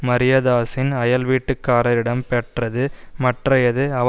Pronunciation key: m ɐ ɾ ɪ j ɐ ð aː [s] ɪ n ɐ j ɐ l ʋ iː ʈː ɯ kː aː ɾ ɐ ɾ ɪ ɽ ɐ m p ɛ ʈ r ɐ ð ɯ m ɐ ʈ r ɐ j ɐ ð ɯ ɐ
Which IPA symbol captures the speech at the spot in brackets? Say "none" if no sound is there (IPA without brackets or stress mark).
s